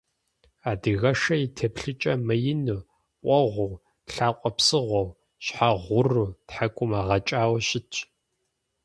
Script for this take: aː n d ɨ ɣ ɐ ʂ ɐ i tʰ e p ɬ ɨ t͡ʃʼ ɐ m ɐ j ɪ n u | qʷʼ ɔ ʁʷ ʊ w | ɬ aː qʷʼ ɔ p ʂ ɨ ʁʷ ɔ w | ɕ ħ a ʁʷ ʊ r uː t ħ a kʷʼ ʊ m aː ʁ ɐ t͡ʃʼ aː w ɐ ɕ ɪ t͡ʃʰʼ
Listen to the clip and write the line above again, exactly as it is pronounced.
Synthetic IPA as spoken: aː d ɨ ɣ ɐ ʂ ɐ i tʰ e p ɬ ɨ t͡ʃʼ ɐ m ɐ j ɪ n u | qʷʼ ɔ ʁʷ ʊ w | ɬ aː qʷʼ ɔ p s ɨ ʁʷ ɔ w | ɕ ħ a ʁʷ ʊ r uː t ħ a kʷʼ ʊ m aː ʁ ɐ t͡ʃʼ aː w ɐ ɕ ɪ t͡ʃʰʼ